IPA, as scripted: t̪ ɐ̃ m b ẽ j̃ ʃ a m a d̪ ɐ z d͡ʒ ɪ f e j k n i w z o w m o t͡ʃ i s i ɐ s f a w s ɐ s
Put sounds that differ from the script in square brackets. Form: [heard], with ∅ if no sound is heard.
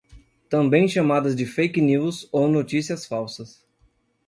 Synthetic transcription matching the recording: t̪ ɐ̃ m b ẽ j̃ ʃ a m a d̪ ɐ z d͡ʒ ɪ f e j k n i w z o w [n] o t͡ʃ i s i ɐ s f a w s ɐ s